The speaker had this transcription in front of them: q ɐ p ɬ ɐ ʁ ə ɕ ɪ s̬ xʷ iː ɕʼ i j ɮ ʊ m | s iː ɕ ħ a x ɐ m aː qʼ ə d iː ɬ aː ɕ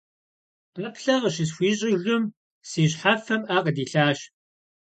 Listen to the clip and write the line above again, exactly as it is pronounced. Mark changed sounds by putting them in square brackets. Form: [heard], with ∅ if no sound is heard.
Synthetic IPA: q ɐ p ɬ ɐ ʁ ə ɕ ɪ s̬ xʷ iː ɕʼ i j ɮ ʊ m | s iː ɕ ħ a [f] ɐ m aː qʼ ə d iː ɬ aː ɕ